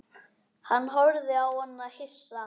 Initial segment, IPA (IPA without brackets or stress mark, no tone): h